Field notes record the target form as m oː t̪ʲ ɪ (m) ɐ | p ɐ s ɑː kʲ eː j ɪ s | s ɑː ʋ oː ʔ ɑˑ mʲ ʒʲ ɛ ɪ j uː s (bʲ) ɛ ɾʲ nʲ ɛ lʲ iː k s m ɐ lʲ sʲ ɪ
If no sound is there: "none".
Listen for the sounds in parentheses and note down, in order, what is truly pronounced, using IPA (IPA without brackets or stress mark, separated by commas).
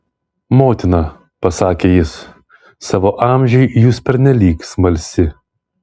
n, pʲ